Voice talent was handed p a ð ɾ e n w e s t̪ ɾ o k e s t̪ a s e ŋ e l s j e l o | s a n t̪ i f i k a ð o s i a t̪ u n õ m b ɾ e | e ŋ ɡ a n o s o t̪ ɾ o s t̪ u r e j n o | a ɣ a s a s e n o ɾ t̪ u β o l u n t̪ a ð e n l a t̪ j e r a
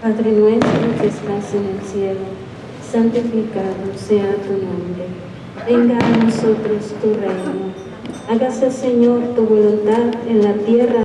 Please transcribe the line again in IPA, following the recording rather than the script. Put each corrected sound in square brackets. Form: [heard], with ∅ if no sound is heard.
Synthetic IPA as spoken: p a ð ɾ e n w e s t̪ ɾ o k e s t̪ a s e [n] e l s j e l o | s a n t̪ i f i k a ð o s [e] a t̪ u n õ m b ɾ e | e ŋ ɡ a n o s o t̪ ɾ o s t̪ u r e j n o | a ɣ a s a s e [ɲ] o ɾ t̪ u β o l u n t̪ a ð e n l a t̪ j e r a

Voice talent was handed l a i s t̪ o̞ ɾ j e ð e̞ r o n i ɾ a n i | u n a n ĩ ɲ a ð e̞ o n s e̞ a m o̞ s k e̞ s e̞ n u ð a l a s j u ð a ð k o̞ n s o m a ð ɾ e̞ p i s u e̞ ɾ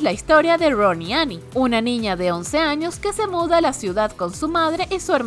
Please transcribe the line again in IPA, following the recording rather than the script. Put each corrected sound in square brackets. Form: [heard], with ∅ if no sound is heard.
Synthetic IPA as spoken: l a i s t̪ o̞ ɾ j [a] ð e̞ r o n i [∅] a n i | u n a n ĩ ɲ a ð e̞ o n s e̞ a [ɲ] o̞ s k e̞ s e̞ [m] u ð a l a s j u ð a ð k o̞ n s [u] m a ð ɾ e̞ [ʔ] i s u e̞ ɾ

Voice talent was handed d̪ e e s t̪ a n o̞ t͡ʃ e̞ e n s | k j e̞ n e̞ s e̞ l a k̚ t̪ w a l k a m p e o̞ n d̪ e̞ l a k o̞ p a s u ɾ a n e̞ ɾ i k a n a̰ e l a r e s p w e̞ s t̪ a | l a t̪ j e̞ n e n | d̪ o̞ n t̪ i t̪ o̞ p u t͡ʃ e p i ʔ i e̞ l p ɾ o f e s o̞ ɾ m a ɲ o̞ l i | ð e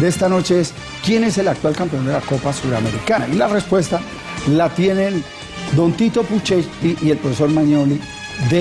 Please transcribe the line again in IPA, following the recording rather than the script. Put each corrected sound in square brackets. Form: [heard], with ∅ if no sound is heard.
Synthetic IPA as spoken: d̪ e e s t̪ a n o̞ t͡ʃ e̞ e [∅] s | k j e̞ n e̞ s e̞ l a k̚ t̪ w a l k a m p e o̞ n d̪ e̞ l a k o̞ p a s u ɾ a [m] e̞ ɾ i k a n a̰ [i] l a r e s p w e̞ s t̪ a | l a t̪ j e̞ n e n | d̪ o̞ n t̪ i t̪ o̞ p u t͡ʃ e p i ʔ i e̞ l p ɾ o f e s o̞ ɾ m a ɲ o̞ l i | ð e

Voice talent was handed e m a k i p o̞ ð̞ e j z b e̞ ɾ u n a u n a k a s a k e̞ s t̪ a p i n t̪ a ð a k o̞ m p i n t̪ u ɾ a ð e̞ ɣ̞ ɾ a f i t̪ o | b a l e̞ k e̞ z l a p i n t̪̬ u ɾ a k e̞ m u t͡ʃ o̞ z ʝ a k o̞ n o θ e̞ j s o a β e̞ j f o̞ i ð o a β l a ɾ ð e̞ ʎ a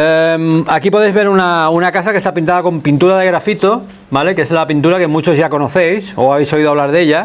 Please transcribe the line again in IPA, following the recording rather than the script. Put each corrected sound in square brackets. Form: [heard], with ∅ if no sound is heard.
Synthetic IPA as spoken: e m a k i p o̞ ð̞ e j z [β] e̞ ɾ u n a u n a k a s a k e̞ s t̪ a p i n t̪ a ð a k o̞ m p i n t̪ u ɾ a ð e̞ ɣ̞ ɾ a f i t̪ o | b a l e̞ k e̞ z l a p i n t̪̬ u ɾ a k e̞ m u t͡ʃ o̞ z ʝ a k o̞ n o θ e̞ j s o a β e̞ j [s] o̞ i ð o a β l a ɾ ð e̞ ʎ a

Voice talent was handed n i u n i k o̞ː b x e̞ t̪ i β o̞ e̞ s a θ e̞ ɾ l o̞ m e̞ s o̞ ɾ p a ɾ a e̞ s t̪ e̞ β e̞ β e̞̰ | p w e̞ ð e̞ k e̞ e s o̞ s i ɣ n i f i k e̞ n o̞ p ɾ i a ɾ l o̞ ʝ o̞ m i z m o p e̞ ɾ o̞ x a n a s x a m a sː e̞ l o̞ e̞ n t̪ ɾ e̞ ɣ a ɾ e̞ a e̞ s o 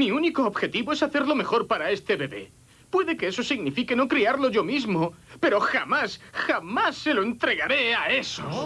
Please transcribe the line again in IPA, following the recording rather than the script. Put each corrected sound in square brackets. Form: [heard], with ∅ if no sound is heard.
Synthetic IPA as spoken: [m] i u n i k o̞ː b x e̞ t̪ i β o̞ e̞ s a θ e̞ ɾ l o̞ m e̞ [x] o̞ ɾ p a ɾ a e̞ s t̪ e̞ β e̞ β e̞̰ | p w e̞ ð e̞ k e̞ e s o̞ s i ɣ n i f i k e̞ n o̞ [k] ɾ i a ɾ l o̞ ʝ o̞ m i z m o p e̞ ɾ o̞ x a [m] a s x a m a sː e̞ l o̞ e̞ n t̪ ɾ e̞ ɣ a ɾ e̞ a e̞ s o

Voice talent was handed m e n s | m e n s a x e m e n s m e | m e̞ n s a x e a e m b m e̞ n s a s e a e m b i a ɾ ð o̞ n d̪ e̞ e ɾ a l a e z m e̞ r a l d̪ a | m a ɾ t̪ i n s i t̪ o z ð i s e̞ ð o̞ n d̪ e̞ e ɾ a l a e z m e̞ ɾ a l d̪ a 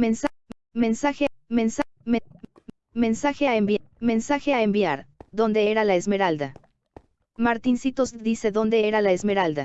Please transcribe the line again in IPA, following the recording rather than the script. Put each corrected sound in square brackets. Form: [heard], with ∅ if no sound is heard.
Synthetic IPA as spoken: m e n s | m e n s a x e m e n s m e | m e̞ n s a x e a e m b m e̞ n s a [x] e a e m b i a ɾ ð o̞ n d̪ e̞ e ɾ a l a e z m e̞ [ɾ] a l d̪ a | m a ɾ t̪ i n s i t̪ o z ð i s e̞ ð o̞ n d̪ e̞ e ɾ a l a e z m e̞ ɾ a l d̪ a

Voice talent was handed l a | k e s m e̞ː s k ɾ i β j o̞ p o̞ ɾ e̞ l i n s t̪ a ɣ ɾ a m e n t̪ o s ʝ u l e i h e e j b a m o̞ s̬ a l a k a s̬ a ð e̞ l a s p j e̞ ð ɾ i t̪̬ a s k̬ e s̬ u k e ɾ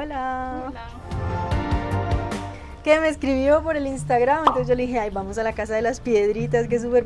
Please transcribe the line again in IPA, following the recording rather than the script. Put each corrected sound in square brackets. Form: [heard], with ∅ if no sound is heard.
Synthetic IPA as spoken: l a | k e [∅] m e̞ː s k ɾ i β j o̞ p o̞ ɾ e̞ l i n s t̪ a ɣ ɾ a m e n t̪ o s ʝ [o] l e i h e [a] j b a m o̞ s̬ a l a k a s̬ a ð e̞ l a s p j e̞ ð ɾ i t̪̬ a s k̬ e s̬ u [p] e ɾ

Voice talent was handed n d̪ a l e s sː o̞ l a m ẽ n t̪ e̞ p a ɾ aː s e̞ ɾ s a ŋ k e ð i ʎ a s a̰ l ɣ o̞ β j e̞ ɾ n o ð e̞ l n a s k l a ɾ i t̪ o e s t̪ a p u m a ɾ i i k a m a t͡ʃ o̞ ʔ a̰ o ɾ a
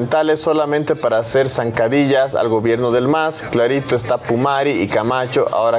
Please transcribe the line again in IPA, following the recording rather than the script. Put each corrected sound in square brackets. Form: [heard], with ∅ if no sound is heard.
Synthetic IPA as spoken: n [t̪] a l e s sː o̞ l a m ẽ n t̪ e̞ p a ɾ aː s e̞ ɾ s a ŋ k [a] ð i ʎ a s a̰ l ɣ o̞ β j e̞ ɾ n o ð e̞ l [m] a s k l a ɾ i t̪ o e s t̪ a p u m a ɾ i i k a m a t͡ʃ o̞ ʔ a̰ o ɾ a

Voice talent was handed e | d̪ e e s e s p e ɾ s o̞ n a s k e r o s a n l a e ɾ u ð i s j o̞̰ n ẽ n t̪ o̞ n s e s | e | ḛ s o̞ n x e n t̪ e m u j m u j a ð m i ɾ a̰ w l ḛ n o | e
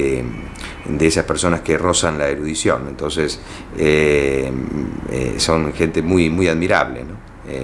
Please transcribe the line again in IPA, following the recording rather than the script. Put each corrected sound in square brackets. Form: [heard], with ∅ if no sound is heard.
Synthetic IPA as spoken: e | d̪ e e s [a] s p e ɾ s o̞ n a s k e r o s a n l a e ɾ u ð i s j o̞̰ n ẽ n t̪ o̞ n s e s | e | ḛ s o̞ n x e n t̪ e m u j m u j a ð m i ɾ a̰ [β] l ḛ n o | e

